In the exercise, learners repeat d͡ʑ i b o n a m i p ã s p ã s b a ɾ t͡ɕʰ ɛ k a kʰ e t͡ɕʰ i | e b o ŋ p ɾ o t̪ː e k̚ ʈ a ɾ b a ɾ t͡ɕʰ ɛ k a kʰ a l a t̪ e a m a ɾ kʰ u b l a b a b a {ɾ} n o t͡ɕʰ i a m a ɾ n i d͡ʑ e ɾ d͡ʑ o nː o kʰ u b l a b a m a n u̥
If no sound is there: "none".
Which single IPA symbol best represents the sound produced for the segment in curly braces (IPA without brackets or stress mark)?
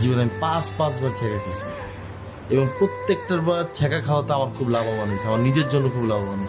none